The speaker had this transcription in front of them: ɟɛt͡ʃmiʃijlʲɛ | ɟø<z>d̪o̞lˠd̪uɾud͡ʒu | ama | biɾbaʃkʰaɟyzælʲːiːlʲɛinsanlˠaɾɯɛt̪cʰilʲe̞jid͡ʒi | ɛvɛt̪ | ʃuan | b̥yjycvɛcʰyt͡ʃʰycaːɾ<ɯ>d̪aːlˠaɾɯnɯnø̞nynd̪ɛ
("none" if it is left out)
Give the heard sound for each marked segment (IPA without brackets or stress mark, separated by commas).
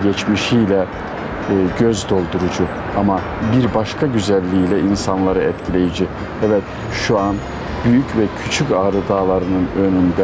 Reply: z, ɯ